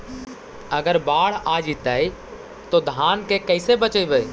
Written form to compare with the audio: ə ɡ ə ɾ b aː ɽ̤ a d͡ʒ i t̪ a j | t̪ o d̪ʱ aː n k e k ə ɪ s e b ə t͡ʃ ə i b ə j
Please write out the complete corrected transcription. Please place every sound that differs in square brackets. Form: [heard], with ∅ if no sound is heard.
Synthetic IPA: ə ɡ ə ɾ b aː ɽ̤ a d͡ʒ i t̪ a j | t̪ o d̪ʱ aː n k e k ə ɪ s e b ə t͡ʃ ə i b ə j